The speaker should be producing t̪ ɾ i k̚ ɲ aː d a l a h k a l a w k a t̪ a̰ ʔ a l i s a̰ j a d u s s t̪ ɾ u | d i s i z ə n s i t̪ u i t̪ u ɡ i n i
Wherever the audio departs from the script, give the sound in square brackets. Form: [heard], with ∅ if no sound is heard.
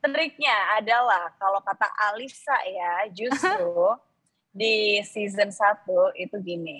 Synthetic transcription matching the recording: t̪ ɾ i k̚ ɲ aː d a l a h k a l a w k a t̪ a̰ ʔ a l i s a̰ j a [d͡ʒ] u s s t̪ ɾ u | d i s i z ə n s [a] t̪ u i t̪ u ɡ i n i